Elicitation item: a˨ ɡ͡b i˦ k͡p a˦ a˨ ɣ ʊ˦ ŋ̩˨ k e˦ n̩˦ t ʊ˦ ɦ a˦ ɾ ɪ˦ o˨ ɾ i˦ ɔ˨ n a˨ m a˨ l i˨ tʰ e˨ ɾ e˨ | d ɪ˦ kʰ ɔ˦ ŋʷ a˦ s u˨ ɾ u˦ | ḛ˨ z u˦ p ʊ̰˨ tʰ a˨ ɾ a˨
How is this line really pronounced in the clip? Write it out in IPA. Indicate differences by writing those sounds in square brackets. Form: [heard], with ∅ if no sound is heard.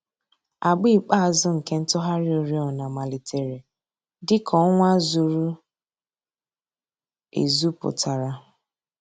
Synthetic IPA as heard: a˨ ɡ͡b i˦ k͡p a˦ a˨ [z] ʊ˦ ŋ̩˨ k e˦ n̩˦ t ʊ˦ ɦ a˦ ɾ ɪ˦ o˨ ɾ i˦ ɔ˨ n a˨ m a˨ l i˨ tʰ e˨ ɾ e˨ | d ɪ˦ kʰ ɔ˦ ŋʷ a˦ [z] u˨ ɾ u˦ | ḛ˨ z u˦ p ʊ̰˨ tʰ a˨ ɾ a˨